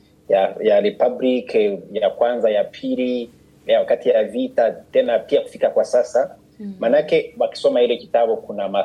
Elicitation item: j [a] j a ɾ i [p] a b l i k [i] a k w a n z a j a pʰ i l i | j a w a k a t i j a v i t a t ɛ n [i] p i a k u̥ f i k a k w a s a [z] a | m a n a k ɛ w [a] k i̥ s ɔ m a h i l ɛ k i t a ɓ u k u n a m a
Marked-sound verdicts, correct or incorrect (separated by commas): correct, correct, incorrect, incorrect, incorrect, correct